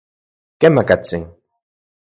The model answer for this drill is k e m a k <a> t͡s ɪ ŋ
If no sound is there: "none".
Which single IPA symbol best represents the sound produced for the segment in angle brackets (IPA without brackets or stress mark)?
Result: a